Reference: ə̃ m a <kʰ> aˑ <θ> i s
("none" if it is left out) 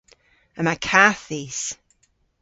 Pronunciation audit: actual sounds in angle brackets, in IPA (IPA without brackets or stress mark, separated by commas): kʰ, θ